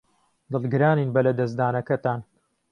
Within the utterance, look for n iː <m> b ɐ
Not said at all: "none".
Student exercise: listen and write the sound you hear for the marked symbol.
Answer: n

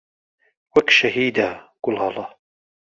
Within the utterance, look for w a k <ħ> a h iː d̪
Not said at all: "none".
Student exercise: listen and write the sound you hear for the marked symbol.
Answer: ʃ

